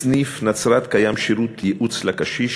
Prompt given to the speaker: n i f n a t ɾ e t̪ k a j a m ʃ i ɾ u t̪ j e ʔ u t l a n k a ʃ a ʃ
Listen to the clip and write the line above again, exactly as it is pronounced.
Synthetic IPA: n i f n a t͡s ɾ a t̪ k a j a m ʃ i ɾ u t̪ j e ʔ u t͡s l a k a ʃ i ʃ